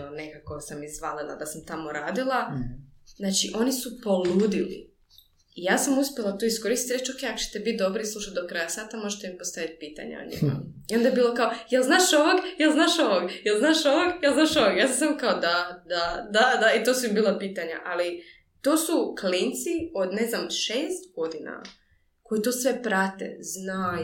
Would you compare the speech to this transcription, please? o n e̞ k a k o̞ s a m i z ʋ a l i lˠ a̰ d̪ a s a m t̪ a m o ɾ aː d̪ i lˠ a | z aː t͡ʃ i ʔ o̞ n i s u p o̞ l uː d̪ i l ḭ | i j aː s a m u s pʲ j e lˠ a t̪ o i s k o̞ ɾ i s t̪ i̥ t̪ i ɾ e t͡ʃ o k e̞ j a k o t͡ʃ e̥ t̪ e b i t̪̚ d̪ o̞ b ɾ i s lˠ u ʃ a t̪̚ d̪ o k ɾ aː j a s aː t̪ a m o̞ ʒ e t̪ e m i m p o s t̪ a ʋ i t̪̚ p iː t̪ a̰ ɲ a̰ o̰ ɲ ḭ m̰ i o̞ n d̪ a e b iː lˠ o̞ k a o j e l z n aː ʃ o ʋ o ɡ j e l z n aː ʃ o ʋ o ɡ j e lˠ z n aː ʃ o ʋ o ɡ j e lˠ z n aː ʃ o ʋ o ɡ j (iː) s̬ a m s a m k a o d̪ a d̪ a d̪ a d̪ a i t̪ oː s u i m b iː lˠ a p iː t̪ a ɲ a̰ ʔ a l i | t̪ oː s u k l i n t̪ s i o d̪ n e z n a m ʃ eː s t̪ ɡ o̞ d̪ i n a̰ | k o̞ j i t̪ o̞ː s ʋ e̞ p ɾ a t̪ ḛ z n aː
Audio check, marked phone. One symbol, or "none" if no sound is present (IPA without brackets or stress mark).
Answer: aː